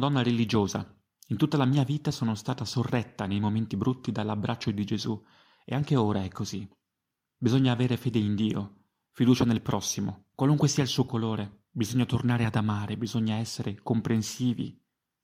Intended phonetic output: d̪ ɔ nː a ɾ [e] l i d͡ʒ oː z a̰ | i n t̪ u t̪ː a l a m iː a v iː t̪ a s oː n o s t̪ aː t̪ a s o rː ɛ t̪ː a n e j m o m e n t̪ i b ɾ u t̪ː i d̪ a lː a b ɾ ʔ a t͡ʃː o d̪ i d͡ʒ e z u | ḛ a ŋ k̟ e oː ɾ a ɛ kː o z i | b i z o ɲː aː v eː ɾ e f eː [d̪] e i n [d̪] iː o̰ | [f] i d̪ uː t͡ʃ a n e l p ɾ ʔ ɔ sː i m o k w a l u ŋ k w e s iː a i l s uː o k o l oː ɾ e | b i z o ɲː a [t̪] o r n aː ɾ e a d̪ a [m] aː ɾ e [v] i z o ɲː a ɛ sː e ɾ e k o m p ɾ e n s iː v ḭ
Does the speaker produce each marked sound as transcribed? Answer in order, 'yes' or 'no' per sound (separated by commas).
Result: yes, yes, yes, yes, yes, yes, no